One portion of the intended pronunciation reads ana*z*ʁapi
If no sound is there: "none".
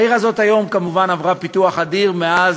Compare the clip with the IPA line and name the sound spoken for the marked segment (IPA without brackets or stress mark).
v